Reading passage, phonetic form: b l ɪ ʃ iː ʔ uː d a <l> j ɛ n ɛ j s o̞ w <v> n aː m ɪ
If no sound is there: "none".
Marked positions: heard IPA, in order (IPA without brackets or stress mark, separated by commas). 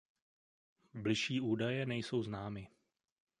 none, z